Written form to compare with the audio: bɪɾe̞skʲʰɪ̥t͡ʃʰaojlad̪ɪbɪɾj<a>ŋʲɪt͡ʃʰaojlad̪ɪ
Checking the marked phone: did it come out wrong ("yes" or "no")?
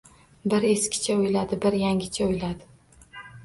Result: no